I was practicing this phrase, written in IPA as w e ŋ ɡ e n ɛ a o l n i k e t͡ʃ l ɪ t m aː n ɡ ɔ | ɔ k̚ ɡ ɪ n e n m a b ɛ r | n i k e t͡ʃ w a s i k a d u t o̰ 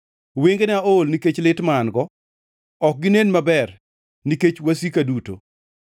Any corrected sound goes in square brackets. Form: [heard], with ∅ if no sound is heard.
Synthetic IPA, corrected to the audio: w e ŋ ɡ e n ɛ a o l n i k e t͡ʃ l ɪ t m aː n ɡ ɔ | ɔ k̚ ɡ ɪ n e n m a b ɛ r | n i k e t͡ʃ w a s i k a d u t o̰